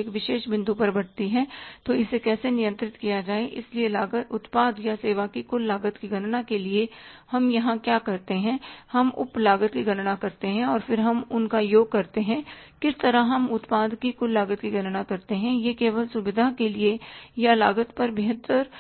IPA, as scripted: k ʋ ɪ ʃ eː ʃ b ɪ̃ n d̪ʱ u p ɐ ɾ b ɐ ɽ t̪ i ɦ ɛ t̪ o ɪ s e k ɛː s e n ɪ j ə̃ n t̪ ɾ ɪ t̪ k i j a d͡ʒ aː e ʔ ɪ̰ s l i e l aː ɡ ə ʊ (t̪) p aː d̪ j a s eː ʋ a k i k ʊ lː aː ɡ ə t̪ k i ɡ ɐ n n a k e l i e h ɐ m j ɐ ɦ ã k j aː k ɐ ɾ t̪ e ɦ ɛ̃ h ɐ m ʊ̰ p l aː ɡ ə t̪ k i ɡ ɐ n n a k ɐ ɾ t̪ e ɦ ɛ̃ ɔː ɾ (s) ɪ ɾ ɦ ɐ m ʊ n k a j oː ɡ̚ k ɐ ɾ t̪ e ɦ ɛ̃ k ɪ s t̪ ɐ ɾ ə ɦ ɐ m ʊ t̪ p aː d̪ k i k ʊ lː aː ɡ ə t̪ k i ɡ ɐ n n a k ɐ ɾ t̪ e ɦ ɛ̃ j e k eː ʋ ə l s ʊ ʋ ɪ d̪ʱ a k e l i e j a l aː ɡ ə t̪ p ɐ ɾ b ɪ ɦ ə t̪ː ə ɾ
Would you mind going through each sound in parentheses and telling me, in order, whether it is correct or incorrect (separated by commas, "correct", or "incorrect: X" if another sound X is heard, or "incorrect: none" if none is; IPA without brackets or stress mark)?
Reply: correct, incorrect: f